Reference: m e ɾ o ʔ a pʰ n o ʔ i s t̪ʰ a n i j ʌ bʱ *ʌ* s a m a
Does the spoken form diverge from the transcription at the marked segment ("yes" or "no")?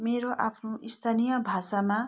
yes